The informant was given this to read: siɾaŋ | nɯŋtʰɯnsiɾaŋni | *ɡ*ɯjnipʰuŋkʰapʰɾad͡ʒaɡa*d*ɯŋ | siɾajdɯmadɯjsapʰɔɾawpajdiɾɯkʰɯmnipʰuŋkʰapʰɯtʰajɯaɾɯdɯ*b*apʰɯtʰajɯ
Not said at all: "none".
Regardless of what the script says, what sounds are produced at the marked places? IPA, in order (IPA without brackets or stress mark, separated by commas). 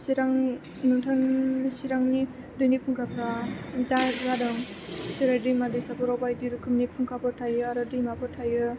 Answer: d, d, m